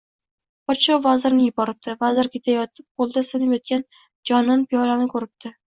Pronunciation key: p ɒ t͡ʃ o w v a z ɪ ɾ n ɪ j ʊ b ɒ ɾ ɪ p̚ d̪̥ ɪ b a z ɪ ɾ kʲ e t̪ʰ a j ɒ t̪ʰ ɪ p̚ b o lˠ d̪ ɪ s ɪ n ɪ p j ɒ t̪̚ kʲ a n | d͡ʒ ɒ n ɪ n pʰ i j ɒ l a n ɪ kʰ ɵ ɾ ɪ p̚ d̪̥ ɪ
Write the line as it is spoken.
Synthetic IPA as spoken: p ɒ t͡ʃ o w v a z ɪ ɾ n ɪ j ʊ b ɒ ɾ ɪ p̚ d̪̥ ɪ v a z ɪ ɾ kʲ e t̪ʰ a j ɒ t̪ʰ ɪ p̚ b o lˠ d̪ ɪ s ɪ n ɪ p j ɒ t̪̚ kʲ a n | d͡ʒ ɒ n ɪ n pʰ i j ɒ l a n ɪ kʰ ɵ ɾ ɪ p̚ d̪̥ ɪ